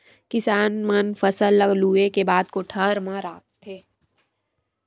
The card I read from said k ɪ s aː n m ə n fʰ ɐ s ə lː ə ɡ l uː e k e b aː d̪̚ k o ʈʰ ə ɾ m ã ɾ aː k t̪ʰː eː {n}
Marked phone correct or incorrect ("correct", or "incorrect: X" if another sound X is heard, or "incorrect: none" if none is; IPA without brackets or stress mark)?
incorrect: none